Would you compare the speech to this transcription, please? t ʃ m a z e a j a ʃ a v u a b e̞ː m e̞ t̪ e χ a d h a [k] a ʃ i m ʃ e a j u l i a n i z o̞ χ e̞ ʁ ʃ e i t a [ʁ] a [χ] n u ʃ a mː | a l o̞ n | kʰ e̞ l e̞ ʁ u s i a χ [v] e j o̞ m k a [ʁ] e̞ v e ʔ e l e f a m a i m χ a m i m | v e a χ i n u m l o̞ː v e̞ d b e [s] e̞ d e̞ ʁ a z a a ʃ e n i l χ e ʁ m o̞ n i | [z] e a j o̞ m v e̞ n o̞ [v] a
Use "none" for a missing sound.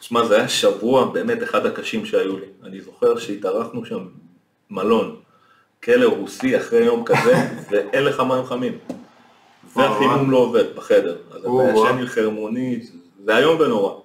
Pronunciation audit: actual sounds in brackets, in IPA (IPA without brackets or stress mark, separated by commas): k, ʁ, χ, ʁ, z, χ, z, ʁ